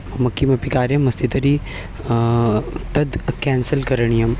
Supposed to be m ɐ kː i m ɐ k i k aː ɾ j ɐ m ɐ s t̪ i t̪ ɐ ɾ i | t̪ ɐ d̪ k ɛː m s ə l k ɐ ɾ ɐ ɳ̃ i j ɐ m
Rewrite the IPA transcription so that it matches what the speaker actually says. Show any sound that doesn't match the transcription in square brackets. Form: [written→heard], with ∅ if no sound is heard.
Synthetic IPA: m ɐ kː i m ɐ [k→p] i k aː ɾ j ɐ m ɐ s t̪ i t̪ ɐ ɾ i | t̪ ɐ d̪ k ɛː [m→n] s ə l k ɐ ɾ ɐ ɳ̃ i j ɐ m